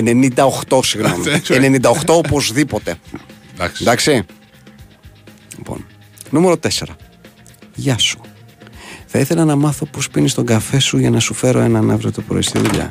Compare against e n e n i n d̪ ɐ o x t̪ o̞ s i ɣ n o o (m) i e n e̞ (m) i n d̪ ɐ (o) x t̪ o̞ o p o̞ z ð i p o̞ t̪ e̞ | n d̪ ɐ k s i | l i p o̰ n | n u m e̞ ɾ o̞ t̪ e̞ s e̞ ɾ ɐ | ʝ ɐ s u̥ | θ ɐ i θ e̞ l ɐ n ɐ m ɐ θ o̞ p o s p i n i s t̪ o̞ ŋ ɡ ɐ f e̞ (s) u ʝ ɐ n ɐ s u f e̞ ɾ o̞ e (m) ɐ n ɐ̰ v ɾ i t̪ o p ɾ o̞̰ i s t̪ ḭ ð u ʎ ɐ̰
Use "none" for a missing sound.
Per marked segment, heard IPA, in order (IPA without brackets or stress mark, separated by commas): m, n, o, s, n